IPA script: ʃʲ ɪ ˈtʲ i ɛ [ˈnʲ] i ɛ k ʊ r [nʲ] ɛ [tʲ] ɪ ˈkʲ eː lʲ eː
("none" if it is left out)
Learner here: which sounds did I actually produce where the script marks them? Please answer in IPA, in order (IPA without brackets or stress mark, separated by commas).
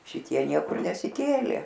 nʲ, nʲ, sʲ